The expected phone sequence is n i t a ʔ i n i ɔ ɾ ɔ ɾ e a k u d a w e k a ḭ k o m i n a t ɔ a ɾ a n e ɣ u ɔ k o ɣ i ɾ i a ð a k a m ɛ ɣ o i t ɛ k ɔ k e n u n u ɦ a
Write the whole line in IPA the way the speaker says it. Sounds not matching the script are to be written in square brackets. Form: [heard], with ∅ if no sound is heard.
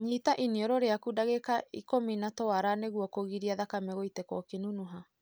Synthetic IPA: [ɲ] i t a ʔ i n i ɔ ɾ ɔ ɾ e a k u d a [ɣ] e k a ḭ k o m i n a t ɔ a ɾ a n e ɣ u ɔ k o ɣ i ɾ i a ð a k a m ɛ ɣ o i t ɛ k ɔ k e n u n u ɦ a